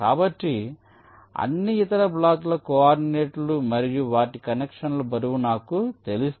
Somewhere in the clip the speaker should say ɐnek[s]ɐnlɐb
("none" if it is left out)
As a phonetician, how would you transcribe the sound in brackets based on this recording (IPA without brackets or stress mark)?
ʂ